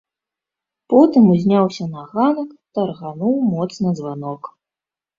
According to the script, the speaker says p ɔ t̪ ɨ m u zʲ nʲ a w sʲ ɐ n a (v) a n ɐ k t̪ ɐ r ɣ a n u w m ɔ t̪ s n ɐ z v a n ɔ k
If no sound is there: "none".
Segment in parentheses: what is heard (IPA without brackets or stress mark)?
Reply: ɣ